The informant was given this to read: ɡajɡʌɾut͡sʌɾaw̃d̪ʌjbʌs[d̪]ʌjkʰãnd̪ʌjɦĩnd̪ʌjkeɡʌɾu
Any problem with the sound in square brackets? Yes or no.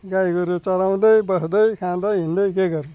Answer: no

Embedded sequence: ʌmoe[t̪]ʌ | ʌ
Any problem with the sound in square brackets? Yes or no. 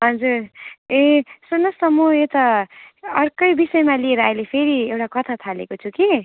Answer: no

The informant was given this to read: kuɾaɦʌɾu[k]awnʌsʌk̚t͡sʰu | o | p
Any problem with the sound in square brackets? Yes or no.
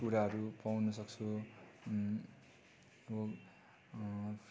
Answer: yes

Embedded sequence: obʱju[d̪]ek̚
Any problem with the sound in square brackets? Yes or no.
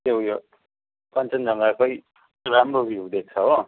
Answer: no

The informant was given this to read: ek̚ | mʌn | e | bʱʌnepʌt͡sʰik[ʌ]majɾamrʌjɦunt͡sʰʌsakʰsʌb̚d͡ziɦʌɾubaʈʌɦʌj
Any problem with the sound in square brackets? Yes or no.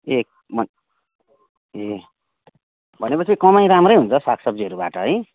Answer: no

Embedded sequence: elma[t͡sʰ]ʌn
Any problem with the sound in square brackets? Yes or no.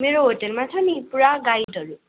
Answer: no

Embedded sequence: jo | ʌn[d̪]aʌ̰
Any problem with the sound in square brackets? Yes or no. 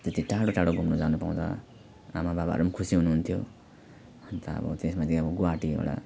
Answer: yes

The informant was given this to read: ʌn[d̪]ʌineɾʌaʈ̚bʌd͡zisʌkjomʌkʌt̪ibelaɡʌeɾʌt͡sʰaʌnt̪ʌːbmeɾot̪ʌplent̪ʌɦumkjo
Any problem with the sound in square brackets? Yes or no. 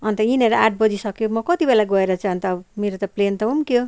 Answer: yes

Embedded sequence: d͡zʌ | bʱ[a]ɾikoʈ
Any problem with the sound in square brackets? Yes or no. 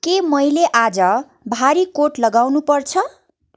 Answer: no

